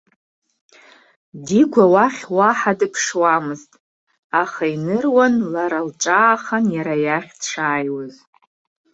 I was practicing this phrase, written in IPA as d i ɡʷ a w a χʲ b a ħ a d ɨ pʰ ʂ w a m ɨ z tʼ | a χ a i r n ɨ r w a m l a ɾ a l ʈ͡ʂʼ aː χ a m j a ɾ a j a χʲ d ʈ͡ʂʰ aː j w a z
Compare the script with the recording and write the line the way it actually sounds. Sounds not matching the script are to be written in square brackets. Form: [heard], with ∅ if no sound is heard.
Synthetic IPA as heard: d i ɡʷ a w a χʲ [w] a ħ a d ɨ pʰ ʂ w a m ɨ z tʼ | a χ a i [∅] n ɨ r w a [n] l a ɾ a l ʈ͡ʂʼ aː χ a [n] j a ɾ a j a χʲ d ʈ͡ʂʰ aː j w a z